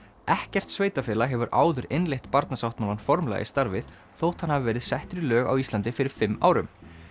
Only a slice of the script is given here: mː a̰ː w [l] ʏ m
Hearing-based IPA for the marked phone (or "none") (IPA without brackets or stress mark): ɾ